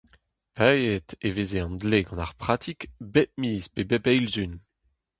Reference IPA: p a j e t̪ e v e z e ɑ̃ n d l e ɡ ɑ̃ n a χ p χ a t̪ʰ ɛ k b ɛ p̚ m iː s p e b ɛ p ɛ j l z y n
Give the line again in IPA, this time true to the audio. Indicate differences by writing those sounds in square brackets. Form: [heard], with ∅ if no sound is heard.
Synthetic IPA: p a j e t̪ e v e z e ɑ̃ n d l e ɡ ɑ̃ n a [ʁ] p χ a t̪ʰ [i] k b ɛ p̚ m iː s p e b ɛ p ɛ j l z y n